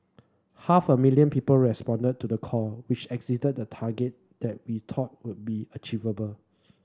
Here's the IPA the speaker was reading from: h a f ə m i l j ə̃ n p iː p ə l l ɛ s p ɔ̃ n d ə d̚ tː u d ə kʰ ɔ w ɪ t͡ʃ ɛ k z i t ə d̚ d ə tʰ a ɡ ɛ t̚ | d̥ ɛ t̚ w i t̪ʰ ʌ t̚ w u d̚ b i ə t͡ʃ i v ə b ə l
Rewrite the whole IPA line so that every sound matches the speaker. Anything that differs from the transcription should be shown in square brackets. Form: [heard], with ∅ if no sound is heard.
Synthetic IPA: h a f ə m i l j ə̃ n p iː p ə l [ɹ] ɛ s p ɔ̃ n d ə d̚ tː u d ə kʰ ɔ w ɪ t͡ʃ ɛ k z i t ə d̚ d ə tʰ a ɡ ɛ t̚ | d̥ ɛ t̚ w i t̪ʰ [ɔ] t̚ w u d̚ b i ə t͡ʃ i v ə b ə l